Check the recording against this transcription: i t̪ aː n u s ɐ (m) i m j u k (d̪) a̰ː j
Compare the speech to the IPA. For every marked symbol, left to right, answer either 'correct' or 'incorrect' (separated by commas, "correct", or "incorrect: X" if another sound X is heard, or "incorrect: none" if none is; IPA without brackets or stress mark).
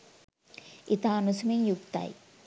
correct, incorrect: t̪